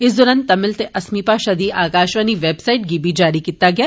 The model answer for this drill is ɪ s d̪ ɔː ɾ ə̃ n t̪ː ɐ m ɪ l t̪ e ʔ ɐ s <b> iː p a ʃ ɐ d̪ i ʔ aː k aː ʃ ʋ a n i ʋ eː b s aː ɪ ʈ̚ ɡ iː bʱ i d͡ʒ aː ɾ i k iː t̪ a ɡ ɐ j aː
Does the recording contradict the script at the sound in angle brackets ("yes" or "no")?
yes